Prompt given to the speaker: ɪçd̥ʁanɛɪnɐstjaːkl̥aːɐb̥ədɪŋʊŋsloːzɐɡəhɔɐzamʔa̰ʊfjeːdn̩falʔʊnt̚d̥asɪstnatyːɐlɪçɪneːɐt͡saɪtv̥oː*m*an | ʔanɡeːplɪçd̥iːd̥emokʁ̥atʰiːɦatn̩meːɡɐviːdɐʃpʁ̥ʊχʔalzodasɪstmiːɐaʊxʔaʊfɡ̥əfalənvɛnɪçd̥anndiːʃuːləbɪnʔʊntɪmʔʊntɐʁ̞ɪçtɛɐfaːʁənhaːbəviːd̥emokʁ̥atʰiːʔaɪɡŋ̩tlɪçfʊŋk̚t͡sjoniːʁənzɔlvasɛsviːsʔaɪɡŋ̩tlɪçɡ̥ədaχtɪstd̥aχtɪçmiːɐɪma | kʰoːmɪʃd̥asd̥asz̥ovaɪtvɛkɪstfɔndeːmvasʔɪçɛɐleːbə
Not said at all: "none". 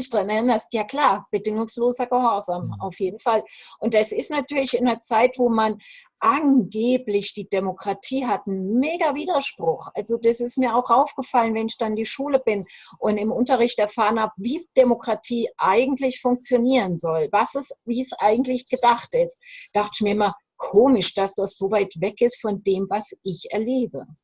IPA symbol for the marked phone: m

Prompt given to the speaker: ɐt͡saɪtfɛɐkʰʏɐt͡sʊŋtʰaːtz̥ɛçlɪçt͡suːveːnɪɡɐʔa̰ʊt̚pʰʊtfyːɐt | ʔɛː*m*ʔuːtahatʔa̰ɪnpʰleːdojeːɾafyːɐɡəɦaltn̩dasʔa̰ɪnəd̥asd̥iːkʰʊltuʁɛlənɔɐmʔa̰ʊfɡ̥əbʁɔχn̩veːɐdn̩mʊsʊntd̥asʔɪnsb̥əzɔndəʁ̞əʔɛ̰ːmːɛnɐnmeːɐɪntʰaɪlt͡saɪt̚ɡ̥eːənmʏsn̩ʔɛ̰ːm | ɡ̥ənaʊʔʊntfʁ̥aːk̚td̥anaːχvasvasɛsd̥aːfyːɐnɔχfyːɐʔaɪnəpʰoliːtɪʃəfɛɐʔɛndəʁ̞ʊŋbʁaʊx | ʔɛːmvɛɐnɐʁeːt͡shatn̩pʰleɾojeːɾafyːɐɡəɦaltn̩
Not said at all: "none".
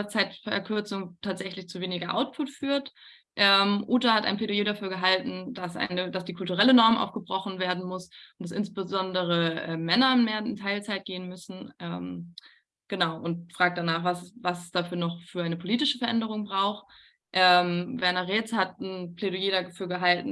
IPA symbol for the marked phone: m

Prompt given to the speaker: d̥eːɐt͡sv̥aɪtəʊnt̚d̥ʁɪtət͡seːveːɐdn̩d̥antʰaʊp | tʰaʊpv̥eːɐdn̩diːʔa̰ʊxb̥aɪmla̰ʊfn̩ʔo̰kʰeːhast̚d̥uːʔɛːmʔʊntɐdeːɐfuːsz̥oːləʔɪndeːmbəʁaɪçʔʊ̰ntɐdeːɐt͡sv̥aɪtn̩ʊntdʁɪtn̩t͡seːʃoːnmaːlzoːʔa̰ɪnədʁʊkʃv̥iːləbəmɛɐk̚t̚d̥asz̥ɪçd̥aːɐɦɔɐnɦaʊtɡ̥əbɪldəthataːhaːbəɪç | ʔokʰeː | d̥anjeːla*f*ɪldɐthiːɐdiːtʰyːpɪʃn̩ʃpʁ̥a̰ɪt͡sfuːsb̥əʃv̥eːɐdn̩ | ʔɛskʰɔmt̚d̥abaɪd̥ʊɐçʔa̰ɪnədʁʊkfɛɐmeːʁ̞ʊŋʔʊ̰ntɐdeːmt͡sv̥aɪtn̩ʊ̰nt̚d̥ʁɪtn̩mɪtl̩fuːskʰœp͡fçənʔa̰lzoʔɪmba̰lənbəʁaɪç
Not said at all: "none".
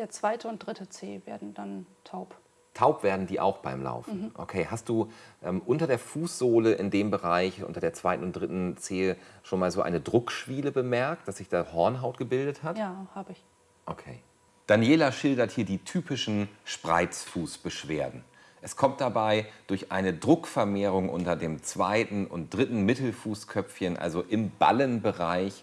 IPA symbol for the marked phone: ʃ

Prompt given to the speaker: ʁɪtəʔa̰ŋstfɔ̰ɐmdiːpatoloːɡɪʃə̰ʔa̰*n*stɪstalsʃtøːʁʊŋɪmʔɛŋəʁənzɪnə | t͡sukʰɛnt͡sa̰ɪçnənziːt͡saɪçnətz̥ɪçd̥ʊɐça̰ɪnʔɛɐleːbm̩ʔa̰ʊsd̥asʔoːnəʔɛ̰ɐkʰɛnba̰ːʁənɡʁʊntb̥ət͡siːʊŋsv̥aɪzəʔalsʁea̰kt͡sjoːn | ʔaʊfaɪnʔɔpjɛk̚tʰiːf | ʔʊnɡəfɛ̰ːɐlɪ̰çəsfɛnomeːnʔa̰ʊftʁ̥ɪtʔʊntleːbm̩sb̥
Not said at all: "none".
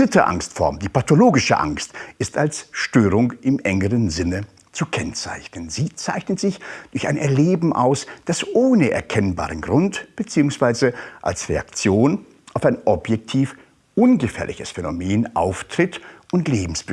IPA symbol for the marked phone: ŋ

